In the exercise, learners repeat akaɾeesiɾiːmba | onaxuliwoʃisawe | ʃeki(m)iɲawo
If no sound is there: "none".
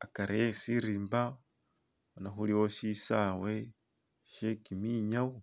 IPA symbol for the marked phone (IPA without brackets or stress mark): m